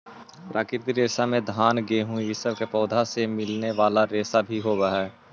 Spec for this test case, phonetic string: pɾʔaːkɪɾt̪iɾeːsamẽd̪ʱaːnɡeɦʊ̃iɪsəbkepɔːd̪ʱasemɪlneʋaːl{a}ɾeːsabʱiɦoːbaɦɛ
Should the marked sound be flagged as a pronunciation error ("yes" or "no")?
no